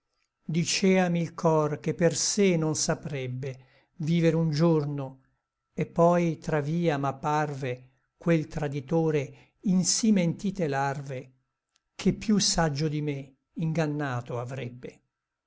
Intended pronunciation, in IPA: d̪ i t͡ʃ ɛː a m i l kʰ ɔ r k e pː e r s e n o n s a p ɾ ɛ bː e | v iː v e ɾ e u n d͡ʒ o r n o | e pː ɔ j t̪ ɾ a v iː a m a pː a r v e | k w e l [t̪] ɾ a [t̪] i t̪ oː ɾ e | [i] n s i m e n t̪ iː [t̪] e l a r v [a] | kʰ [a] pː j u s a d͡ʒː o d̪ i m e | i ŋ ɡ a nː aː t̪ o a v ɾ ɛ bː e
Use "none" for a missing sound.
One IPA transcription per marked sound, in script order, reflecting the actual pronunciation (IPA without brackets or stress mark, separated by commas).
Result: t̪, d̪, i, t̪, e, e